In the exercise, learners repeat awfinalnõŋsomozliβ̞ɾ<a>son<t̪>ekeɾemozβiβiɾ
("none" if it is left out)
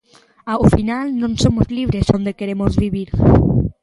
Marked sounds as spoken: e, d̪

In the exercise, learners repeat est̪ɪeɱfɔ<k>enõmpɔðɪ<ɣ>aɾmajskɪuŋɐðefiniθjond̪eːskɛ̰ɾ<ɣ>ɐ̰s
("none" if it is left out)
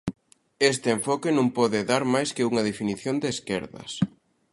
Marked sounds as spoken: k, ð, ð

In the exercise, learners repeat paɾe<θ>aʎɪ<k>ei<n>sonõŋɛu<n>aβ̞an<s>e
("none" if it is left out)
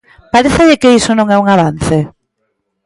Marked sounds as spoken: θ, k, none, ŋ, θ

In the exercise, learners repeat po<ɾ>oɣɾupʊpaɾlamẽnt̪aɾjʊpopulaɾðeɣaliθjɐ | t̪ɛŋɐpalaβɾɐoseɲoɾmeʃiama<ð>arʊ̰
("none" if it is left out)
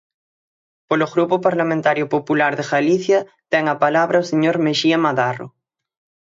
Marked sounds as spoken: l, ð

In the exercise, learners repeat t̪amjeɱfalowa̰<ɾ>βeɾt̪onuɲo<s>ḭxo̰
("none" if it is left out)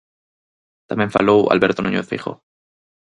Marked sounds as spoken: l, θ

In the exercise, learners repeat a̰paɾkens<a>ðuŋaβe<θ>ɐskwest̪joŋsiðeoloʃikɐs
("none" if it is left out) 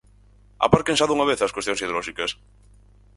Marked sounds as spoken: a, θ

